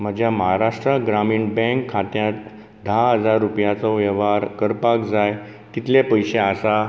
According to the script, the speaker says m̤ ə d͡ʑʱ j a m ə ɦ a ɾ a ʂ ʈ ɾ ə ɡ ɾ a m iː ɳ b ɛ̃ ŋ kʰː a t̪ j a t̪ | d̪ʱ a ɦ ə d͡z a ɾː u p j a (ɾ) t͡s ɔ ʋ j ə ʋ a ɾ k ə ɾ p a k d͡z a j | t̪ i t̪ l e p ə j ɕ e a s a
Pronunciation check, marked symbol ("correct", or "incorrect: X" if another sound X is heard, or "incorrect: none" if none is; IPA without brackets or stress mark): incorrect: none